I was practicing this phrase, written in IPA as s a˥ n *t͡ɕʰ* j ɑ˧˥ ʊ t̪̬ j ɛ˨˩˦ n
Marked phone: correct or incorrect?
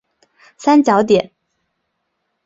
incorrect